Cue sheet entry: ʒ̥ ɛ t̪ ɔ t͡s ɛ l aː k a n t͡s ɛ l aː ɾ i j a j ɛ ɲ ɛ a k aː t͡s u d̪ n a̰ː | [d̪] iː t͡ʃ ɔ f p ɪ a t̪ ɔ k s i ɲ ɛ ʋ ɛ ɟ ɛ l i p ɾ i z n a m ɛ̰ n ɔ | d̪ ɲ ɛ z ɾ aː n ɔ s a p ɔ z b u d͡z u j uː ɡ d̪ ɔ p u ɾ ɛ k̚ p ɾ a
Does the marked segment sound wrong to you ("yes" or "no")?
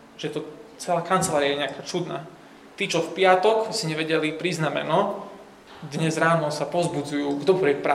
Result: yes